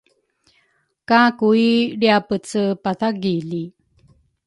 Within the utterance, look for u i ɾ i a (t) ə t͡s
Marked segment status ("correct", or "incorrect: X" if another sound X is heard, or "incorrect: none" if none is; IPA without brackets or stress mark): incorrect: p